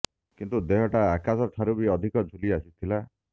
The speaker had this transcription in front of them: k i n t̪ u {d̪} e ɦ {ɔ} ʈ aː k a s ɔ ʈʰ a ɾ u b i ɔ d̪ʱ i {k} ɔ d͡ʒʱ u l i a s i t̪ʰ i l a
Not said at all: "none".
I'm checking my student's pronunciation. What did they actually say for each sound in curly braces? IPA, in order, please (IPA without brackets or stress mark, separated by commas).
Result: d̪, ɔ, k